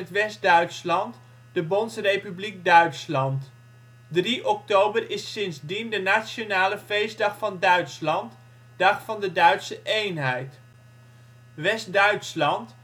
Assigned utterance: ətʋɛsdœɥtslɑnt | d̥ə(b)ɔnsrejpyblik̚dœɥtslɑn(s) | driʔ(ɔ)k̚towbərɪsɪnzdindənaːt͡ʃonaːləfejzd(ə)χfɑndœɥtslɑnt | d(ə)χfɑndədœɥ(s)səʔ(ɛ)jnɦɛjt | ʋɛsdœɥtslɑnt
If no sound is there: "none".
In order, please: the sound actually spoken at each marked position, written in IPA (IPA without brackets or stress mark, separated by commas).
b, t, ɔ, ɑ, ɑ, t, e